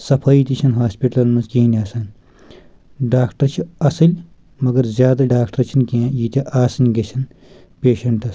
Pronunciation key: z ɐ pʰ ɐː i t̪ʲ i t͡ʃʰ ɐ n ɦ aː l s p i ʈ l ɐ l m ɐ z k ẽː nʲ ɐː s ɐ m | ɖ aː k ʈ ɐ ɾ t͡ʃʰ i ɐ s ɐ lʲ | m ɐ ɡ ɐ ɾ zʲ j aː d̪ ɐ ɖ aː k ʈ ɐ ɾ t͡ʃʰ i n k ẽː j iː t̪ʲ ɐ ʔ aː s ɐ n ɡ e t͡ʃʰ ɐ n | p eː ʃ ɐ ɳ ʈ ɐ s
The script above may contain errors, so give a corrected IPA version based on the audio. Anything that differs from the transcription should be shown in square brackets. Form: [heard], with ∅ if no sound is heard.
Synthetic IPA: [s] ɐ pʰ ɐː i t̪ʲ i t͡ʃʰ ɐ n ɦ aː [∅] s p i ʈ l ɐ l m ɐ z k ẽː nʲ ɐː s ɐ [n] | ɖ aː k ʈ ɐ ɾ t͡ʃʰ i ɐ s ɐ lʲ | m ɐ ɡ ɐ ɾ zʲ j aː d̪ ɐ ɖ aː k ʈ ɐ ɾ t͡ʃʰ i n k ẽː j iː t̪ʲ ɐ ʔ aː s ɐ n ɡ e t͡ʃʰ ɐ n | p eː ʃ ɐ ɳ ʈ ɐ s